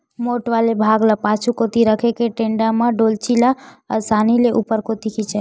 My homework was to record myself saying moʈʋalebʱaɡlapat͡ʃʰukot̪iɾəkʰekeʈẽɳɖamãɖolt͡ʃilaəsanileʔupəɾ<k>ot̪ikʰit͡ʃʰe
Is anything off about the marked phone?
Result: no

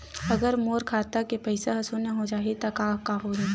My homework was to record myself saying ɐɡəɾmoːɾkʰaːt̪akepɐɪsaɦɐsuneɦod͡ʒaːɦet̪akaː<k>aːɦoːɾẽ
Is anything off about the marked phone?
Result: no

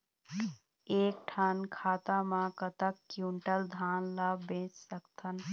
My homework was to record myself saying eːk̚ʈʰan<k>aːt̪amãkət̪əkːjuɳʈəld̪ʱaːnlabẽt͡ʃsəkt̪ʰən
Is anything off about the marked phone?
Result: yes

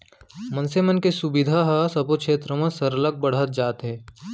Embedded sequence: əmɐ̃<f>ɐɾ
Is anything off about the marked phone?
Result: yes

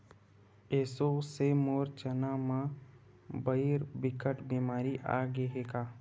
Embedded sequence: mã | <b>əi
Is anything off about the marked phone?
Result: no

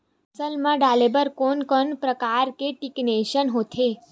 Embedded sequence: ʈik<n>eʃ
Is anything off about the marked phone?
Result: no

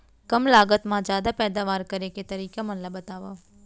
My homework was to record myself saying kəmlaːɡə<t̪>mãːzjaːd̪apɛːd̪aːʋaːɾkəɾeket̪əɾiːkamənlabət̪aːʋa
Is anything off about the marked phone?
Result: no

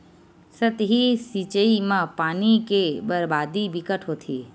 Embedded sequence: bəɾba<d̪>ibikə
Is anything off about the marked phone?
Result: no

